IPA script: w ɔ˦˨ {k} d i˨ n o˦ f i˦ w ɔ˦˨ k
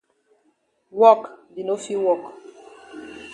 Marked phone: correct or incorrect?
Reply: correct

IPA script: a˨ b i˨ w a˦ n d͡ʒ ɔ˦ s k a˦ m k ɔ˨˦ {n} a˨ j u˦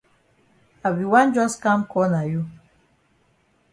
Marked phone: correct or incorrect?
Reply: correct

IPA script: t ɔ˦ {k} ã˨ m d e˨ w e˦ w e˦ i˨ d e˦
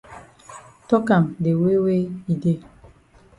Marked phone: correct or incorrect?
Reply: correct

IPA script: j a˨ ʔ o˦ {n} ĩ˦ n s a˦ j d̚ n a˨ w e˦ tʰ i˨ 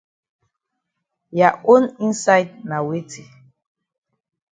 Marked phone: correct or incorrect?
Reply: correct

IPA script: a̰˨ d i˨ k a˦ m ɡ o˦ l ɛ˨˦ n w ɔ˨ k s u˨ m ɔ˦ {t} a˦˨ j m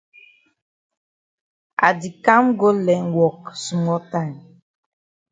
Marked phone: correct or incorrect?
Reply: correct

